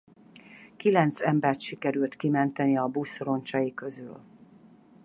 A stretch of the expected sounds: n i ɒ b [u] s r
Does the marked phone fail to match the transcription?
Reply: no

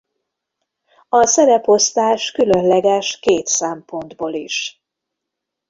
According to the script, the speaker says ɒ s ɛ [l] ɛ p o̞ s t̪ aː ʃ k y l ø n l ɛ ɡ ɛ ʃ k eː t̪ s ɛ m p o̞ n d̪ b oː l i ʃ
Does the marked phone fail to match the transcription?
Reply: yes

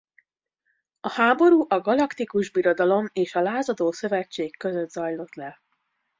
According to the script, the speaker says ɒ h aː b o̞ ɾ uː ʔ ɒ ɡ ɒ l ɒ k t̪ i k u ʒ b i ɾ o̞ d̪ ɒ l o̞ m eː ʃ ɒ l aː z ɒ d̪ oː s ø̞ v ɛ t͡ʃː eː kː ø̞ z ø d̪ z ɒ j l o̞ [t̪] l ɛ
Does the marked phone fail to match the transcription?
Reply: no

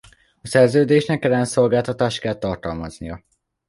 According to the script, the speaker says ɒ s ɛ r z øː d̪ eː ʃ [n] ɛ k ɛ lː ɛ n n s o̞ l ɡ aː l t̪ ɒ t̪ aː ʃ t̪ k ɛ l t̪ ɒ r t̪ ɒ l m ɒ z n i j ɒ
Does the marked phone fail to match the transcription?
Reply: no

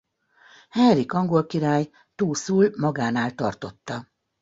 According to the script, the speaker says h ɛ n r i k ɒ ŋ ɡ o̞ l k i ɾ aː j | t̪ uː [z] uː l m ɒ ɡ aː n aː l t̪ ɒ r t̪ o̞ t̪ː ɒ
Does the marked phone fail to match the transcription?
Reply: yes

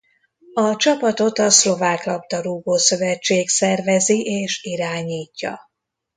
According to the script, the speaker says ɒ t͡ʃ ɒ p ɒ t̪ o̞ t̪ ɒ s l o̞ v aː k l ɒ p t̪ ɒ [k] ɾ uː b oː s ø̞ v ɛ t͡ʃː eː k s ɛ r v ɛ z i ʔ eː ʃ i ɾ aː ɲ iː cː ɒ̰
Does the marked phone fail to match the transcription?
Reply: yes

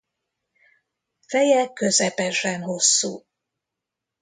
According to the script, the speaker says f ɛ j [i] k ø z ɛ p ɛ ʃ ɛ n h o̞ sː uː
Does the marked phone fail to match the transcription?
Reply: yes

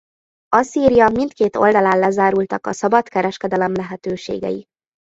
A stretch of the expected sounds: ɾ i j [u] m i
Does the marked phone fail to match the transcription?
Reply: yes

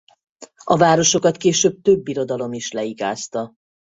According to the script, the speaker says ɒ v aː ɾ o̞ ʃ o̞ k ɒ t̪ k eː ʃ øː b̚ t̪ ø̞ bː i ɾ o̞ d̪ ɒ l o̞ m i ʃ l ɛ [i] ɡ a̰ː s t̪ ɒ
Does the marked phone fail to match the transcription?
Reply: no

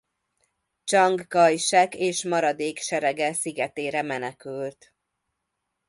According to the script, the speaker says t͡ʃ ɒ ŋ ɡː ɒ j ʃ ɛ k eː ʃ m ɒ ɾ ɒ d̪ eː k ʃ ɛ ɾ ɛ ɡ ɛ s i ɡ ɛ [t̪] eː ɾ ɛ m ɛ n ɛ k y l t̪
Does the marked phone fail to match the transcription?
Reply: no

